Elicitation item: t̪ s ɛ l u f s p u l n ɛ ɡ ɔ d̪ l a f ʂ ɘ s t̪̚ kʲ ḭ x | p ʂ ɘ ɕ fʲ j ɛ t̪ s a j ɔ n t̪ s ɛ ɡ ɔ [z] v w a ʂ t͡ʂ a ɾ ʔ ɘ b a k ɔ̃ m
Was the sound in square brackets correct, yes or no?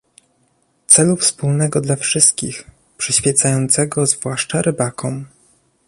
yes